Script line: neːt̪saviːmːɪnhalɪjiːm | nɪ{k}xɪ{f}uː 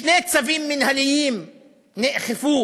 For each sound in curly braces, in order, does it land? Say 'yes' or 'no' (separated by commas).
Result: no, yes